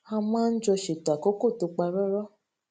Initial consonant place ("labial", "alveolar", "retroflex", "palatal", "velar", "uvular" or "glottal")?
labial